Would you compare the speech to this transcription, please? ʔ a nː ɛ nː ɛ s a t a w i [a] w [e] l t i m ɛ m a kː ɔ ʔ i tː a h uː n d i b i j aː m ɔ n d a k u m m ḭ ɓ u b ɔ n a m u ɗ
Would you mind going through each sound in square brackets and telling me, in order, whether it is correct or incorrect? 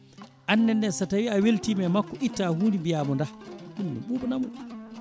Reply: correct, correct

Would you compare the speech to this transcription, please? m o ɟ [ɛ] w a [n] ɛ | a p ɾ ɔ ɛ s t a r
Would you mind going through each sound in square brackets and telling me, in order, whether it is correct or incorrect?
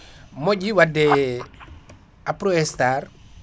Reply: incorrect: i, incorrect: d

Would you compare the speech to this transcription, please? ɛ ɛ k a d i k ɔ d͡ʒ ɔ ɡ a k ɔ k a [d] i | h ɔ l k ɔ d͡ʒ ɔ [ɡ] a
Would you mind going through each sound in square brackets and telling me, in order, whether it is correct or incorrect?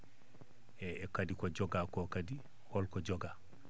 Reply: correct, correct

